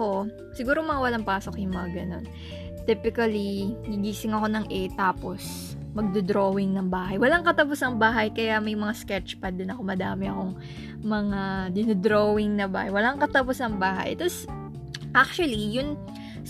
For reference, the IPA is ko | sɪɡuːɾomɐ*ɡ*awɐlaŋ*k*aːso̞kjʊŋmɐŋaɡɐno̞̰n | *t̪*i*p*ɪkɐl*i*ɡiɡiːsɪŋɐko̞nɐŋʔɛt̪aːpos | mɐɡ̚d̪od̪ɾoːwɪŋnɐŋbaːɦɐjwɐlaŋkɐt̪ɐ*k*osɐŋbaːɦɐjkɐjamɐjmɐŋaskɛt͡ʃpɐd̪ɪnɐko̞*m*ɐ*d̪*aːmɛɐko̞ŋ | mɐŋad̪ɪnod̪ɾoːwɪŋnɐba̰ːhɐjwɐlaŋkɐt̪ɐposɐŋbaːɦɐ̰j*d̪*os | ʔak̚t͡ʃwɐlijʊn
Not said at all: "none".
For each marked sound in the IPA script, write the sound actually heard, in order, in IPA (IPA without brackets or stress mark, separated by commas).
ŋ, p, t̪, p, i, p, m, d̪, t̪